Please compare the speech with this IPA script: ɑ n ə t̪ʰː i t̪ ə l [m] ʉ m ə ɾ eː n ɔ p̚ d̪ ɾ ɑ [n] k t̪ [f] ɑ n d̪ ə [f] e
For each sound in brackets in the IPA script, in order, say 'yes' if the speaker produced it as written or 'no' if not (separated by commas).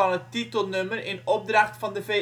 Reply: no, no, yes, yes